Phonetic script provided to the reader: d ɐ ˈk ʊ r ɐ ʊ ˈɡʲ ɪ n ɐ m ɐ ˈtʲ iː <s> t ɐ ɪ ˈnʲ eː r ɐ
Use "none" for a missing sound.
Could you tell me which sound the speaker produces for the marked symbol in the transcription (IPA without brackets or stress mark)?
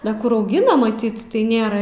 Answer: t